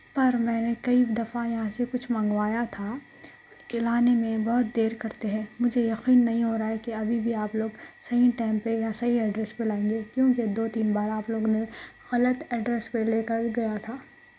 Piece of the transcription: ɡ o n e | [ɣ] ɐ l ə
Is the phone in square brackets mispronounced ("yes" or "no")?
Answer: no